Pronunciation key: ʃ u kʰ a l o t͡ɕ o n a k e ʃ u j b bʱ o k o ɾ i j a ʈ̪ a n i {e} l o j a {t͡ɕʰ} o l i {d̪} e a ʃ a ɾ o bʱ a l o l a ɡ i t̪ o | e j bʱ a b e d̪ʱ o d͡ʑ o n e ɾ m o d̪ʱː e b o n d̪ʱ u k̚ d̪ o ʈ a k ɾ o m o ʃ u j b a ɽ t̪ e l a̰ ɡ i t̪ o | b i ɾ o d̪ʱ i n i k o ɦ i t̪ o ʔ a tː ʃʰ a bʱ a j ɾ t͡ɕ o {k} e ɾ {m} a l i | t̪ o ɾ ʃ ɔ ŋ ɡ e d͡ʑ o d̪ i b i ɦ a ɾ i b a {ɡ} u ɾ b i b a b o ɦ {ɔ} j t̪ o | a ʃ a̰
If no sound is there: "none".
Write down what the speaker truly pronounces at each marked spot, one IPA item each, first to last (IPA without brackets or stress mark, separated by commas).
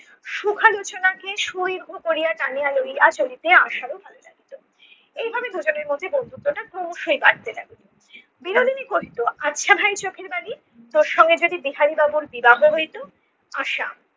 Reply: a, t͡ɕ, t̪, kʰ, b, b, o